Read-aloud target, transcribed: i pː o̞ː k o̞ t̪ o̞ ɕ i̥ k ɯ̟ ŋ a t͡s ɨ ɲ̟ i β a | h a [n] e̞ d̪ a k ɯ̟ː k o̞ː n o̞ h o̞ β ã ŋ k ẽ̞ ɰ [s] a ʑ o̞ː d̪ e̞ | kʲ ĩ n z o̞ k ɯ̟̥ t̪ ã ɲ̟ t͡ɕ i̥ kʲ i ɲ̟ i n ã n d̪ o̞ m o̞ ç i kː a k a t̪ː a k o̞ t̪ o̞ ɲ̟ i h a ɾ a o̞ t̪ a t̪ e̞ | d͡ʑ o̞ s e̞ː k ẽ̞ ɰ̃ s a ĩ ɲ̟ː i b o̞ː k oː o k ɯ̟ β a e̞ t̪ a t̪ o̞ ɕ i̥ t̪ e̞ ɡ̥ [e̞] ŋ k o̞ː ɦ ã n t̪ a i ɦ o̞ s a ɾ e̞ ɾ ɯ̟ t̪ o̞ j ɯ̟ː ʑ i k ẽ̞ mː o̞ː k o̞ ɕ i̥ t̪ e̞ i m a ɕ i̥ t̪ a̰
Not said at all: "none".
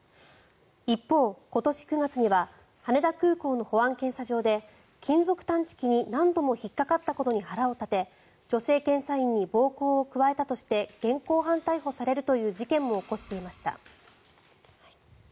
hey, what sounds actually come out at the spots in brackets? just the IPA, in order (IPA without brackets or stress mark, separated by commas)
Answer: n, s, ẽ̞